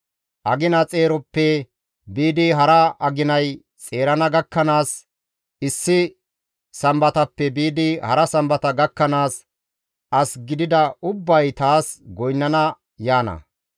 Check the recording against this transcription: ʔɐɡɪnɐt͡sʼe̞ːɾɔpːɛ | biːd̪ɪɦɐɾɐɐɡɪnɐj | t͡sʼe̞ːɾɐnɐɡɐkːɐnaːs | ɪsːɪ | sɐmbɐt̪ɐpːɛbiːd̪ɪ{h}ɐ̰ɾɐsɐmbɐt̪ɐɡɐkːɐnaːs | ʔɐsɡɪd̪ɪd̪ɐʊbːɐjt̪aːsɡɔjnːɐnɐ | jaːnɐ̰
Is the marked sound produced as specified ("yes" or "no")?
yes